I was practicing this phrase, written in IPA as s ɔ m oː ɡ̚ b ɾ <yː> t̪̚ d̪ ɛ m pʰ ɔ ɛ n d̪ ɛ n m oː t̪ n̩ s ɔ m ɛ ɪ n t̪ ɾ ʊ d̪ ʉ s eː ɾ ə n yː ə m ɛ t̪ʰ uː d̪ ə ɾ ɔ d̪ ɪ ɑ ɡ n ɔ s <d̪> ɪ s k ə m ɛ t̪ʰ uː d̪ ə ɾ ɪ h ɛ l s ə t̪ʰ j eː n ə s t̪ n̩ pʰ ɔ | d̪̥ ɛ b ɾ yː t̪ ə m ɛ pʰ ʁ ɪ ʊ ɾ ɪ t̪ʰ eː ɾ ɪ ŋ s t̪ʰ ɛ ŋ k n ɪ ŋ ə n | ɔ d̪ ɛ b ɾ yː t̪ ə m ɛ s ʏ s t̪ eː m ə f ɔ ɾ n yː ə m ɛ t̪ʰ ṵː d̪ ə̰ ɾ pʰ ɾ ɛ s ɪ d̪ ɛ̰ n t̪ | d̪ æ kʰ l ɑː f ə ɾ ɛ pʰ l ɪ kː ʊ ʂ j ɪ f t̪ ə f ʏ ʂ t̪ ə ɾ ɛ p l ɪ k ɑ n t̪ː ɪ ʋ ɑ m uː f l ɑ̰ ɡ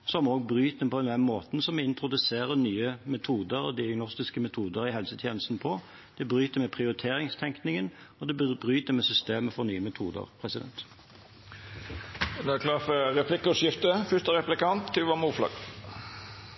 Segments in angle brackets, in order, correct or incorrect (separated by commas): correct, incorrect